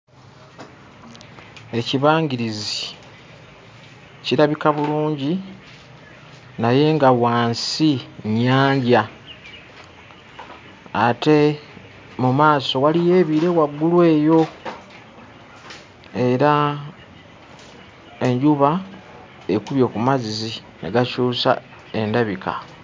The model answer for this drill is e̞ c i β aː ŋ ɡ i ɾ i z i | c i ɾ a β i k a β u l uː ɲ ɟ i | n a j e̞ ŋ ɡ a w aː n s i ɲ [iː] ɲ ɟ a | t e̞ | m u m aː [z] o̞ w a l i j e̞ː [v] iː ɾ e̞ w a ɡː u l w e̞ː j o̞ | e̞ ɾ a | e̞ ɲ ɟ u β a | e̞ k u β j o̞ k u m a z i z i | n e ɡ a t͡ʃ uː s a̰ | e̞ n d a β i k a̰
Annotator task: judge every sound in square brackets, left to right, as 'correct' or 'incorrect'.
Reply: incorrect: aː, incorrect: s, incorrect: β

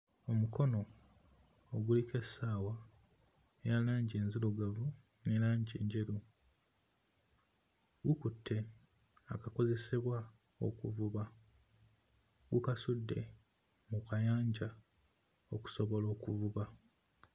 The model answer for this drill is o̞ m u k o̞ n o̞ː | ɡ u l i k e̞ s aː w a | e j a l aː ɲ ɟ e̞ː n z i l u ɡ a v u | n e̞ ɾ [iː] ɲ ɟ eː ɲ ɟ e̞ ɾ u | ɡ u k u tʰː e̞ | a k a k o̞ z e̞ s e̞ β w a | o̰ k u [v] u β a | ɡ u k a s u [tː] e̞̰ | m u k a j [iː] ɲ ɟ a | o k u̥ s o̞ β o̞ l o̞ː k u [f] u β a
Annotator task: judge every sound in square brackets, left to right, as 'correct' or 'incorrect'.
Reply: incorrect: aː, correct, incorrect: dː, incorrect: aː, incorrect: v

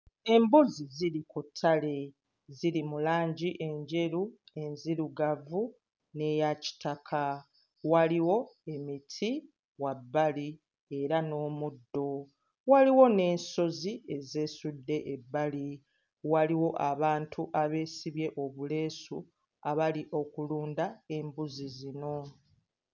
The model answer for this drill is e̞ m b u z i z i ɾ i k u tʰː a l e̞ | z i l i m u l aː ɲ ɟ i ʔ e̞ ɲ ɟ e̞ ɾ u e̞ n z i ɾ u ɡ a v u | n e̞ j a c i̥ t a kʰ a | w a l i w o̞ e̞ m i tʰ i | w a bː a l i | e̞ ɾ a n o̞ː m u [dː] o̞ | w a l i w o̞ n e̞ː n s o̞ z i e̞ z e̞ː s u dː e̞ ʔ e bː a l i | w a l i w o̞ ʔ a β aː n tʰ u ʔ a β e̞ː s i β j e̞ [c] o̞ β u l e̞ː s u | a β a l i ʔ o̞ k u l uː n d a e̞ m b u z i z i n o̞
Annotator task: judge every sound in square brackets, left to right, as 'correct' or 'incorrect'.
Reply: correct, incorrect: ʔ

